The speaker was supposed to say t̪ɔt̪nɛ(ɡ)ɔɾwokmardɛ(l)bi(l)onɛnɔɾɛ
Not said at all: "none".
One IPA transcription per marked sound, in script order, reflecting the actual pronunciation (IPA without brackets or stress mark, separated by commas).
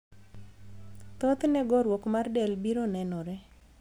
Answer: ɡ, l, ɾ